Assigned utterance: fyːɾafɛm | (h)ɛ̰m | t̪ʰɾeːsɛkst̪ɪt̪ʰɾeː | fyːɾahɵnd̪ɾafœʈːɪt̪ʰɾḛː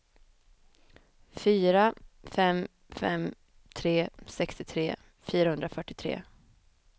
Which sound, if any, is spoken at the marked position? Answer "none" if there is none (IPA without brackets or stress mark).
f